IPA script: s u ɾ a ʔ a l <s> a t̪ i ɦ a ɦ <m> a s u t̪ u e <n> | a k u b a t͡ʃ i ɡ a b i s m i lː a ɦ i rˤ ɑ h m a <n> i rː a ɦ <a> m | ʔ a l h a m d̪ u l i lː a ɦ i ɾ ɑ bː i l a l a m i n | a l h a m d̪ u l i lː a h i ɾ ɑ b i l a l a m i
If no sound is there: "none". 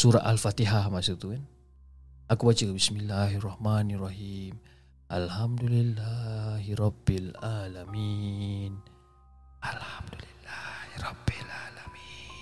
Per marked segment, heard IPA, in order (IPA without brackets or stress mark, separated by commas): f, m, n, n, i